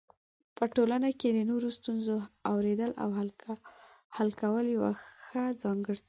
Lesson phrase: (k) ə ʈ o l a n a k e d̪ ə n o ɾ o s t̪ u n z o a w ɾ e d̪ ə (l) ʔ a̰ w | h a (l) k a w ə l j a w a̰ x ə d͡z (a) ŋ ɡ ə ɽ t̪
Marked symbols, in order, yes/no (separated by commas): no, yes, yes, no